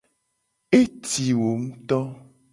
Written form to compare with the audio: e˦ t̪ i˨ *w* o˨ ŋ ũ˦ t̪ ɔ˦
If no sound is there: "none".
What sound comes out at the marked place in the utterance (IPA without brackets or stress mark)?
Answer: w